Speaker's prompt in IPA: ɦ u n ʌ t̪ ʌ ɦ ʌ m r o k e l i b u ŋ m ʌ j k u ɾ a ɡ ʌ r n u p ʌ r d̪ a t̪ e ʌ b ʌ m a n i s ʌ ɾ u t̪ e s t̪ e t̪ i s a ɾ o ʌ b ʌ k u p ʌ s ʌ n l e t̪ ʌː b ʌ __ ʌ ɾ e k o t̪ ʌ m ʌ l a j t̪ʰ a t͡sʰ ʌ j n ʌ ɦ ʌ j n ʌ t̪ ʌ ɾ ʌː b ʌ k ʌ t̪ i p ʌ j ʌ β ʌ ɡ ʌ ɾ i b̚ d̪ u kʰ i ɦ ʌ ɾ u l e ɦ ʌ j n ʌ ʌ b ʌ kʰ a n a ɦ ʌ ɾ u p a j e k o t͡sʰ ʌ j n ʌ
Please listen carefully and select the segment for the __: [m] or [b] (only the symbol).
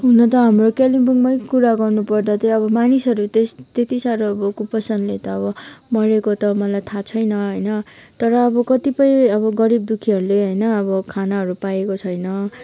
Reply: m